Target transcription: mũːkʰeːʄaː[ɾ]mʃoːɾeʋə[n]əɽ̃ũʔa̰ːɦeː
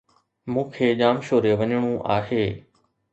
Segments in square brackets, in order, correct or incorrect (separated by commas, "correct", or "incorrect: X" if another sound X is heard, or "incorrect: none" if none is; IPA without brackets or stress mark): incorrect: none, incorrect: ɲ